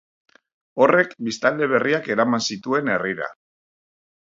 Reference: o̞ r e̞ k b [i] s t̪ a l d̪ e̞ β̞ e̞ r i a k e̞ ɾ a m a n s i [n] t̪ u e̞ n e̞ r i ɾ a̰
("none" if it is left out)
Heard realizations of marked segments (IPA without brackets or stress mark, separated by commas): i, none